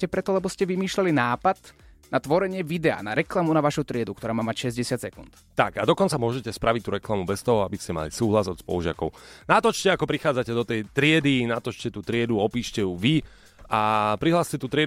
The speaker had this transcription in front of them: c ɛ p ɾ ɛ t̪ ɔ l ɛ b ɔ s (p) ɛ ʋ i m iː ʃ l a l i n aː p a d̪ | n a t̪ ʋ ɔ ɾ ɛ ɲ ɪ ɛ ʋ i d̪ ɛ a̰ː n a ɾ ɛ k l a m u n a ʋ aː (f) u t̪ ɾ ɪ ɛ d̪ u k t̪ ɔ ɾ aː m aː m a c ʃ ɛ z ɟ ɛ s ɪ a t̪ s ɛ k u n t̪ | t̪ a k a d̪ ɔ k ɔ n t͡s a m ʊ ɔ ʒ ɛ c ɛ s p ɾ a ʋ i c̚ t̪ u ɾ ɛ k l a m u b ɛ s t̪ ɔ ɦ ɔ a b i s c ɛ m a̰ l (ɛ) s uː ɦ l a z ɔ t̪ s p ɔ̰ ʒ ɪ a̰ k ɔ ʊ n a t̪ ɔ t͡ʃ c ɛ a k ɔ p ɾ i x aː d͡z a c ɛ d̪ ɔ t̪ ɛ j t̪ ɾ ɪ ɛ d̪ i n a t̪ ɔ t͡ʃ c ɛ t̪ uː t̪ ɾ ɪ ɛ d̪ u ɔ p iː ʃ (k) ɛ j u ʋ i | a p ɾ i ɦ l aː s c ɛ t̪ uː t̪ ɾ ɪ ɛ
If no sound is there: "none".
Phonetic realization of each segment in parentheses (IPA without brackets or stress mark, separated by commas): c, ʃ, i, c